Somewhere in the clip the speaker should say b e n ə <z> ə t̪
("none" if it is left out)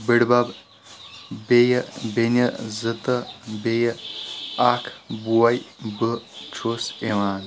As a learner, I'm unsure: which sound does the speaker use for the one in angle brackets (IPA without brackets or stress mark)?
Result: z